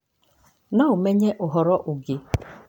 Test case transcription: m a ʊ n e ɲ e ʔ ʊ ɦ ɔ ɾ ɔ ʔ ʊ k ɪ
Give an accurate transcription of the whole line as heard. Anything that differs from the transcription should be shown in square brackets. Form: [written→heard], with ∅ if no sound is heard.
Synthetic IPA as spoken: [m→n] a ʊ [n→m] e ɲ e ʔ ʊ ɦ ɔ ɾ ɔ ʔ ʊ [k→ɡ] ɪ